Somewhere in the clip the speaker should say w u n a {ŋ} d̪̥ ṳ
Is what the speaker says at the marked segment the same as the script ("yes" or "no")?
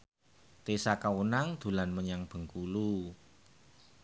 yes